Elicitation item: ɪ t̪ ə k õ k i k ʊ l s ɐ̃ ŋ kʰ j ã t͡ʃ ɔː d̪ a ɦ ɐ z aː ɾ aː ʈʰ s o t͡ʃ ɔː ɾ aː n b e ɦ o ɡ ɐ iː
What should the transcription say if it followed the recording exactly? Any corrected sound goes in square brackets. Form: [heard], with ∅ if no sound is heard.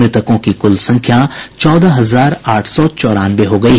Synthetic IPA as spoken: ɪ t̪ ə k õ k i k ʊ l s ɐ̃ ŋ kʰ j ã t͡ʃ ɔː d̪ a ɦ ɐ z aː ɾ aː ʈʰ s [ɔ] t͡ʃ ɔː ɾ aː n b e ɦ o ɡ ɐ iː